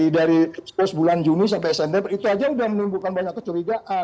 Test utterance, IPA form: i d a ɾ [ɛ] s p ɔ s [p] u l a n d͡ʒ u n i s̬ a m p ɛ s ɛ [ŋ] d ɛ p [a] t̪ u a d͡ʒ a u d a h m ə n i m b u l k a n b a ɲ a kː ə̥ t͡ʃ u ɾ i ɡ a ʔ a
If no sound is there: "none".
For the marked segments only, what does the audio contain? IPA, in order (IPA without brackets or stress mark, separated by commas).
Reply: i, b, n, i